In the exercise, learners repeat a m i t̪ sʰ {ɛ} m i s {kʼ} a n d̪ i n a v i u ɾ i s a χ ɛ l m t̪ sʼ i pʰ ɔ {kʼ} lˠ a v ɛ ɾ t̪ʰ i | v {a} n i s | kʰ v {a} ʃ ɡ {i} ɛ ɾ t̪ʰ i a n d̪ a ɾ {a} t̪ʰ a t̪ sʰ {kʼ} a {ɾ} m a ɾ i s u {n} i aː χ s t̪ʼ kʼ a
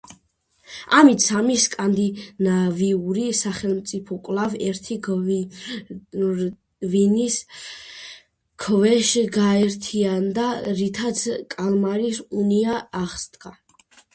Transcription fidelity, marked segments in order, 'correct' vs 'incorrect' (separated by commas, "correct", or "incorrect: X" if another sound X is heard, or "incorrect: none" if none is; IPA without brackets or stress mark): incorrect: a, correct, correct, incorrect: i, incorrect: ɛ, incorrect: a, incorrect: i, correct, incorrect: l, correct